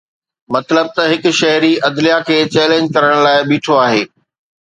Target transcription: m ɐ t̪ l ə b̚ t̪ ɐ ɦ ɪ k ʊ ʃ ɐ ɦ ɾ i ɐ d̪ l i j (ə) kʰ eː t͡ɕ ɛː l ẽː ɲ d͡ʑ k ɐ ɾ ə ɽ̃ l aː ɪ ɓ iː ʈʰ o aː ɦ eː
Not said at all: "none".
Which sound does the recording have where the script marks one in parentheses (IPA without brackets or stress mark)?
a